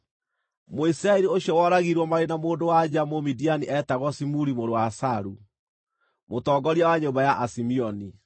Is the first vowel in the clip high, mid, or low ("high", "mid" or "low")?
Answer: mid